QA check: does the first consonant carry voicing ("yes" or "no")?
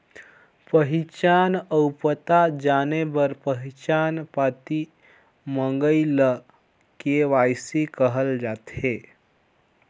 no